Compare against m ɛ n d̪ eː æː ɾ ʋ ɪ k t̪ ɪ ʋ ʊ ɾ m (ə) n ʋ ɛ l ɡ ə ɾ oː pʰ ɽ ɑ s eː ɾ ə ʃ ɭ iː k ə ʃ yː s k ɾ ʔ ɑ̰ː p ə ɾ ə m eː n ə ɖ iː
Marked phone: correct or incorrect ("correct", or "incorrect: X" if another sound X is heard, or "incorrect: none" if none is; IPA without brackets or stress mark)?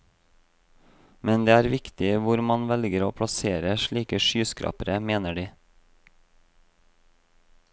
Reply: incorrect: ɑ